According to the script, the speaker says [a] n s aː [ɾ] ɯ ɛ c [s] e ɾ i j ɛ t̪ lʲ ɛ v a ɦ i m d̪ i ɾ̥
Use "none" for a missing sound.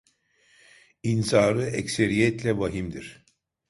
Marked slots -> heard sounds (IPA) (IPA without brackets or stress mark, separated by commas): i, ɾ, s